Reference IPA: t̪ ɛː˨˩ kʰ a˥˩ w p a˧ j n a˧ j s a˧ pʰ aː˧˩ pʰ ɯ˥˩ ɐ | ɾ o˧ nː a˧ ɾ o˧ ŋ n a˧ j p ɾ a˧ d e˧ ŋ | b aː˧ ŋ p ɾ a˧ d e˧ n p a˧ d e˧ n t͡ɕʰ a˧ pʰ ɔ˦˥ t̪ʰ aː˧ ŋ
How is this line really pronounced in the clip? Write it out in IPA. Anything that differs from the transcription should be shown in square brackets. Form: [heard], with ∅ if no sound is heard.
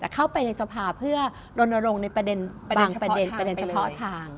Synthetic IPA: t̪ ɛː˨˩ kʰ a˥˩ w p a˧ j n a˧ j s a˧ pʰ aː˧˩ pʰ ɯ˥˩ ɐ | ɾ o˧ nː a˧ ɾ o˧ ŋ n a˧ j p ɾ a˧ d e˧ [n] | b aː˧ ŋ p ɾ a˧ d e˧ n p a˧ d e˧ n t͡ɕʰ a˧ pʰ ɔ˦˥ t̪ʰ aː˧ ŋ